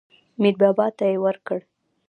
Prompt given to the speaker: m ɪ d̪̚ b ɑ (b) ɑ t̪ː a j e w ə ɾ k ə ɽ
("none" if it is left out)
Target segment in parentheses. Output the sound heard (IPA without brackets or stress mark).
b